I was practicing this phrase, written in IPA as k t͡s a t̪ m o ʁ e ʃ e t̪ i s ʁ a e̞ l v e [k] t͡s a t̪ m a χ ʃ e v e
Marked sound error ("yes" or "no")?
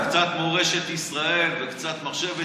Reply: no